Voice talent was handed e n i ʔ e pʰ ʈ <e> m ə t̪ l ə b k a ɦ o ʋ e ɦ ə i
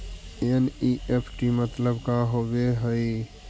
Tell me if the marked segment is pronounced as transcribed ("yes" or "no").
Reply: no